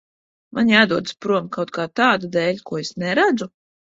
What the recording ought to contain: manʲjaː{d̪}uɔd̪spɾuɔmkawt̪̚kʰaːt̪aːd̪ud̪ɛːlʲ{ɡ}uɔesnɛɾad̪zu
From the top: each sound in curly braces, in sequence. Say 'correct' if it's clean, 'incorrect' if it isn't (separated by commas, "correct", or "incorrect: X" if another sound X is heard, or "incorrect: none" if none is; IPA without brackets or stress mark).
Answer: correct, incorrect: k